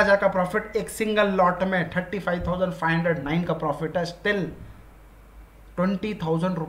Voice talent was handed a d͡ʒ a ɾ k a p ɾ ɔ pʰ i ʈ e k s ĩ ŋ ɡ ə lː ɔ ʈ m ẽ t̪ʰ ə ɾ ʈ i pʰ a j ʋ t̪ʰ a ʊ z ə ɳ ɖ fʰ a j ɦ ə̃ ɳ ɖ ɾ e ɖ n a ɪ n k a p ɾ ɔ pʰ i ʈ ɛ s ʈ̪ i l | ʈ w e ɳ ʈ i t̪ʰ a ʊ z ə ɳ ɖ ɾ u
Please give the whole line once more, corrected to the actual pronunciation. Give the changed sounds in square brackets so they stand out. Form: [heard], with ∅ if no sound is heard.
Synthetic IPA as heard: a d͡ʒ a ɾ k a p ɾ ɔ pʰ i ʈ e k s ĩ ŋ ɡ ə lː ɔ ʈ m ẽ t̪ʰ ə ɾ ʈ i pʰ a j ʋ t̪ʰ a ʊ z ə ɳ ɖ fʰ a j ɦ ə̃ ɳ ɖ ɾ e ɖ n a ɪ n k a p ɾ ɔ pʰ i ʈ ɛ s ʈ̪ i l | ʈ w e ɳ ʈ i t̪ʰ a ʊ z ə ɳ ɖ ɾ u